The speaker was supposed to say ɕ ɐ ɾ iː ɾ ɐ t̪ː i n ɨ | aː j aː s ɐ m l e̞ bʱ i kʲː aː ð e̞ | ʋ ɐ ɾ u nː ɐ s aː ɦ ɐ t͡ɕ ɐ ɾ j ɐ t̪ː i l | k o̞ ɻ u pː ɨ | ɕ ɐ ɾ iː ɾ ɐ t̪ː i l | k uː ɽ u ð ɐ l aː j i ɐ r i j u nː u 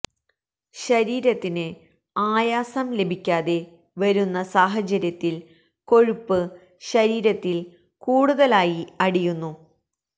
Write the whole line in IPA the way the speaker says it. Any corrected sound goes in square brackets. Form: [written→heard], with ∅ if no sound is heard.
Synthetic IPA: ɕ ɐ ɾ iː ɾ ɐ t̪ː i n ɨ | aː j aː s ɐ m l e̞ bʱ i kʲː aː ð e̞ | ʋ ɐ ɾ u nː ɐ s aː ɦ ɐ t͡ɕ ɐ ɾ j ɐ t̪ː i l | k o̞ ɻ u pː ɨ | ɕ ɐ ɾ iː ɾ ɐ t̪ː i l | k uː ɽ u ð ɐ l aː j i ɐ [r→ɽ] i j u nː u